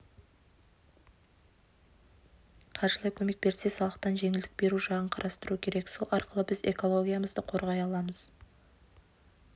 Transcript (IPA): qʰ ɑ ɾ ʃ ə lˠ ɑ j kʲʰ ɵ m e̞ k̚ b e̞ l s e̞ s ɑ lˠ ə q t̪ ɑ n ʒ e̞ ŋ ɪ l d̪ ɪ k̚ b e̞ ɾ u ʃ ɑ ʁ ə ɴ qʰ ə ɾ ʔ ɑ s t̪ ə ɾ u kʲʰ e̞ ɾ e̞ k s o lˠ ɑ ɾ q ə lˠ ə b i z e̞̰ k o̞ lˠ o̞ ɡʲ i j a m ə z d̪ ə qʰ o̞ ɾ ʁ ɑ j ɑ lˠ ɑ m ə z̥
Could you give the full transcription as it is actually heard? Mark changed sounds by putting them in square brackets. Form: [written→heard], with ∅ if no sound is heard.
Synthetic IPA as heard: qʰ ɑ ɾ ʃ ə lˠ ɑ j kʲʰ ɵ m e̞ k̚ b e̞ [l→ɾ] s e̞ s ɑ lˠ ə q t̪ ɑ n ʒ e̞ ŋ ɪ l d̪ ɪ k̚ b e̞ ɾ u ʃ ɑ ʁ ə ɴ qʰ [ə→ɑ] ɾ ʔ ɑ s t̪ ə ɾ u kʲʰ e̞ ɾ e̞ k s o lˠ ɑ ɾ q ə lˠ ə b [i→ɪ] z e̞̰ k o̞ lˠ o̞ ɡʲ i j a m ə z d̪ ə qʰ o̞ ɾ ʁ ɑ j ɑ lˠ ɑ m ə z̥